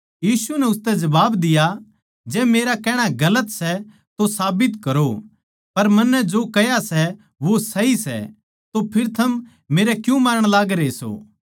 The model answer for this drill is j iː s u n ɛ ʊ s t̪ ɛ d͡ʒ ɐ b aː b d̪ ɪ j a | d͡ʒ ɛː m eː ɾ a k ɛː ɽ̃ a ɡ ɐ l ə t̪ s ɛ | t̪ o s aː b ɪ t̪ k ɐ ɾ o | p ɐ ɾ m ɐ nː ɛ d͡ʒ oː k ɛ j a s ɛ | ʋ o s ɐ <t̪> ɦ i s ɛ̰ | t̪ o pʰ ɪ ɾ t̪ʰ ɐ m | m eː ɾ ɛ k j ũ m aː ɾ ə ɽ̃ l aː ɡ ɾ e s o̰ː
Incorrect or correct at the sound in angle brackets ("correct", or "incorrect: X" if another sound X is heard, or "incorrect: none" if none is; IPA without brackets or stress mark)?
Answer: incorrect: none